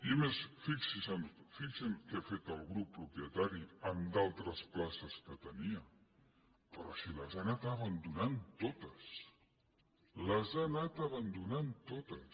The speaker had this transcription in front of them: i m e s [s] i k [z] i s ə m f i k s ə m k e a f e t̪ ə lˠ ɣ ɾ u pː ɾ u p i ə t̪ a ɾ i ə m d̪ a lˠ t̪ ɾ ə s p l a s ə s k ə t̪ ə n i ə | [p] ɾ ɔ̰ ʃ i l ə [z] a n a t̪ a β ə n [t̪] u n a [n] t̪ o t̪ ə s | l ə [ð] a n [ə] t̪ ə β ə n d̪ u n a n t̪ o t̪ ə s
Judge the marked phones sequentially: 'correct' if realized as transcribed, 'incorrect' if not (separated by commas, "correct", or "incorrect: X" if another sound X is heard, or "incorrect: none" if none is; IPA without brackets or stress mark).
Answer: incorrect: f, incorrect: s, correct, correct, incorrect: d̪, correct, incorrect: z, incorrect: a